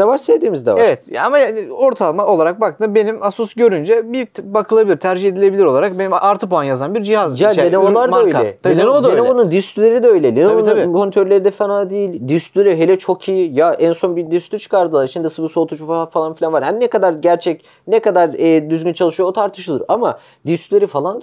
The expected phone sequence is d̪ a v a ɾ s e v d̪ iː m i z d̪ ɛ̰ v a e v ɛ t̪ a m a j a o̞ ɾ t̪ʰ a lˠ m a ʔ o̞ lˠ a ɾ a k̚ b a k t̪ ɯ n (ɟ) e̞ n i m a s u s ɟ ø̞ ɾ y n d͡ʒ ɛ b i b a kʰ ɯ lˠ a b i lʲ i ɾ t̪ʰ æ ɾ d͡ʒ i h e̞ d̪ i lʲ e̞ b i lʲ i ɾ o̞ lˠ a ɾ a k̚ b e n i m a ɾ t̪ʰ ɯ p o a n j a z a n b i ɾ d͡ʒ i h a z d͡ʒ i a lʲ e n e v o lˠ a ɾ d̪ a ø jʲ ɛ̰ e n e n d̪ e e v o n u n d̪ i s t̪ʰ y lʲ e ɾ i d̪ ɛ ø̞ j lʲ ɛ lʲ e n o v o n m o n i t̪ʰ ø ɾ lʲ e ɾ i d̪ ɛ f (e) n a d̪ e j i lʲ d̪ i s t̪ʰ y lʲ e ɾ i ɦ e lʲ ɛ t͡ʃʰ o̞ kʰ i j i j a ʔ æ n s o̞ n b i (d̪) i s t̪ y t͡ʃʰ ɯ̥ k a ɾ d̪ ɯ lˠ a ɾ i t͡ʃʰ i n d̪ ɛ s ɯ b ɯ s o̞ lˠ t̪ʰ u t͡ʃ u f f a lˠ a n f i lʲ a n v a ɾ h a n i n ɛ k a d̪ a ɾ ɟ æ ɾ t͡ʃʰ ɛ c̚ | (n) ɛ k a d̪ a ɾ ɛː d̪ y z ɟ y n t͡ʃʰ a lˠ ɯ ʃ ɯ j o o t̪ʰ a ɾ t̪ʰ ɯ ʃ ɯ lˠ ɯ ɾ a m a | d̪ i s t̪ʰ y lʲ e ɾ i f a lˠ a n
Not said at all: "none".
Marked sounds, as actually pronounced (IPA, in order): b, a, d̪, n

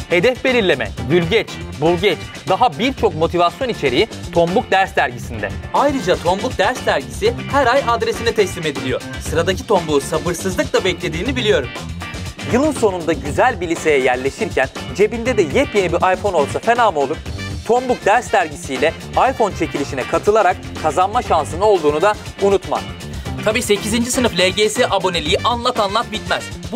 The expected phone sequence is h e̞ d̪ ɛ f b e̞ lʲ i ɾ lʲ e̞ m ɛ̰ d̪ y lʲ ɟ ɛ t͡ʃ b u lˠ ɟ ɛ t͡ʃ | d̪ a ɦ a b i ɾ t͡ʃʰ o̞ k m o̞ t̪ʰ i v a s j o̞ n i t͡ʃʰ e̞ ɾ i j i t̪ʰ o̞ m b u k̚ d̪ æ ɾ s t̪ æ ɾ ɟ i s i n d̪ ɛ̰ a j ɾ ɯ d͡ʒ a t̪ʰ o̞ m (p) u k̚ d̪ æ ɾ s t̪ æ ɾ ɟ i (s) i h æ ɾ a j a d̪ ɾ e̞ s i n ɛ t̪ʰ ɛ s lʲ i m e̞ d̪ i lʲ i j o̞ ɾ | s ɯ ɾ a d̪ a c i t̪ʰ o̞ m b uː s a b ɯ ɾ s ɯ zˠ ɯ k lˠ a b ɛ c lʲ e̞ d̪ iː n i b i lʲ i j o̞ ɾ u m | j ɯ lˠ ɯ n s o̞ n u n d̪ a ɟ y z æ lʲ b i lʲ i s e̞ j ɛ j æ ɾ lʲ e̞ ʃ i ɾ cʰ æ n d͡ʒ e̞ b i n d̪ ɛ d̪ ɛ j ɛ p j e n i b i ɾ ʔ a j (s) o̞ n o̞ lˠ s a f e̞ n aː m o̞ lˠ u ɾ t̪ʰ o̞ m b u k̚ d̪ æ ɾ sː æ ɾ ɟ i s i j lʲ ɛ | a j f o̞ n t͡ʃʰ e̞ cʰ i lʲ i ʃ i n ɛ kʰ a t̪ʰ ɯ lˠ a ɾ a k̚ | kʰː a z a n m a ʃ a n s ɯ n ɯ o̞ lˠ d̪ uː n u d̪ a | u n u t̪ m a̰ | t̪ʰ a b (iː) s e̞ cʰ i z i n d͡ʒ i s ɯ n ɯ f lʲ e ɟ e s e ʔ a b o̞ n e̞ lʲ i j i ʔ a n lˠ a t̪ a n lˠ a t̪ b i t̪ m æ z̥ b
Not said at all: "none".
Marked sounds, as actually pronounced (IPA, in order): b, s, f, iː

